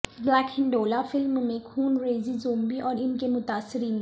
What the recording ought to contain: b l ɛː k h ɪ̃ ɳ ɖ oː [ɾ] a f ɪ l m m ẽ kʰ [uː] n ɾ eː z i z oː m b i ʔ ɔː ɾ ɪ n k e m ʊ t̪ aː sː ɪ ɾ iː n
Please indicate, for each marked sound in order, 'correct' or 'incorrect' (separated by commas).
incorrect, correct